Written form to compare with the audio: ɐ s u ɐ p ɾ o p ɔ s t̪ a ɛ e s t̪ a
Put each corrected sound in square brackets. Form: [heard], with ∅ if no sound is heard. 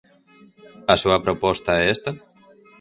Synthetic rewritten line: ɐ s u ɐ p ɾ o p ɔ s t̪ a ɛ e s t̪ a